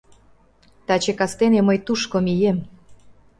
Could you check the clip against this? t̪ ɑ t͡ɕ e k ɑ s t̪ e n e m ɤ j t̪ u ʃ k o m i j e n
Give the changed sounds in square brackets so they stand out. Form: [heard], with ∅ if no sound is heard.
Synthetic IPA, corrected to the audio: t̪ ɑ t͡ɕ e k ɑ s t̪ e n e m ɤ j t̪ u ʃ k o m i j e [m]